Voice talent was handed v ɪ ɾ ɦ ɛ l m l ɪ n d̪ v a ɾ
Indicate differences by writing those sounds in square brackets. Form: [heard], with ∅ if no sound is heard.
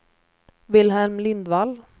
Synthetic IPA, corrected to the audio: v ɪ [l] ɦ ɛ l m l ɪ n d̪ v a [l]